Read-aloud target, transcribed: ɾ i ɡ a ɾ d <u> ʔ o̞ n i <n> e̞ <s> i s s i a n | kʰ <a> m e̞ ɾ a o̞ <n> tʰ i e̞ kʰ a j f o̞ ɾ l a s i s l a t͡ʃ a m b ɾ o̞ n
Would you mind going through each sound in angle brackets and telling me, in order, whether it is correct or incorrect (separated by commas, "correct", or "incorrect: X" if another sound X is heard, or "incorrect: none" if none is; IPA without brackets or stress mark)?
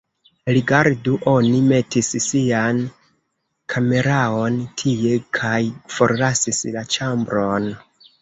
correct, incorrect: m, incorrect: t, correct, correct